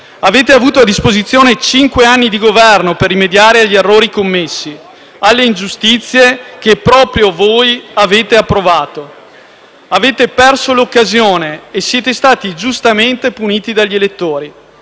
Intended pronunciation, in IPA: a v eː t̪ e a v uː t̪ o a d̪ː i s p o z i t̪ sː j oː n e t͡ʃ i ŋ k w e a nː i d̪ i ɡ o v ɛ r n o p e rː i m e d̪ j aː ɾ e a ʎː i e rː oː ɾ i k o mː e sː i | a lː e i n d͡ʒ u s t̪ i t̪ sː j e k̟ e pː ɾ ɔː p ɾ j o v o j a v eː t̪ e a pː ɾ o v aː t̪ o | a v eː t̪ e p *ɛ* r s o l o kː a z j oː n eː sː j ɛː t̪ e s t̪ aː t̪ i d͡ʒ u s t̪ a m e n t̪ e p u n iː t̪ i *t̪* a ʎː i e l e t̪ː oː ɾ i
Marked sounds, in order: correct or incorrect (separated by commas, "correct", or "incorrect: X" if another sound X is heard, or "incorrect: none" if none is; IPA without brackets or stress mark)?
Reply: correct, incorrect: d̪